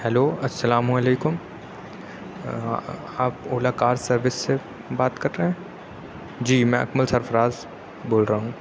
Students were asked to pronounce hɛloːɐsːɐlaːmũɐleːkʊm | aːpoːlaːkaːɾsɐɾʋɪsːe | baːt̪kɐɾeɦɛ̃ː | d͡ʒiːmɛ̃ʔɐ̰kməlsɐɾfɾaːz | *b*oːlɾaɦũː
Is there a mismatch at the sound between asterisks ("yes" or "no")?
no